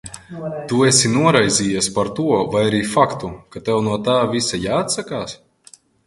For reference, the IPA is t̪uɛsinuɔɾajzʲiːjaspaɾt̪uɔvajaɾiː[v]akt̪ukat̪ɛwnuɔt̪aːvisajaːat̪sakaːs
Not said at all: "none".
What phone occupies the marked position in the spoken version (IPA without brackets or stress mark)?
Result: f